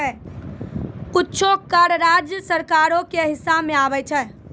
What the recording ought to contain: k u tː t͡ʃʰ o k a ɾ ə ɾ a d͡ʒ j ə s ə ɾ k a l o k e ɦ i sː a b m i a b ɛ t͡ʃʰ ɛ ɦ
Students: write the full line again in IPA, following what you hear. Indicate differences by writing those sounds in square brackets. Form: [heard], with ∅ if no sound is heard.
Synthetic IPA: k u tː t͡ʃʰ o k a ɾ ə ɾ a d͡ʒ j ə s ə ɾ k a [ɾ] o k e ɦ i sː a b m [e] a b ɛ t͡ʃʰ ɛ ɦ